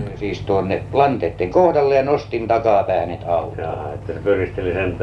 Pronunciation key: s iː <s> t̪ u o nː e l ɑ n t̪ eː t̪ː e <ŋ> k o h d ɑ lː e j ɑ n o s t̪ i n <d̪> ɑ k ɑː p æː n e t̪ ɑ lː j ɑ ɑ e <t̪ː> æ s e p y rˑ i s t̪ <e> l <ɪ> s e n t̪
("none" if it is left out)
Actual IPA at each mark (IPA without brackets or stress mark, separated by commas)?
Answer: s, ŋ, t̪, t̪ː, e, i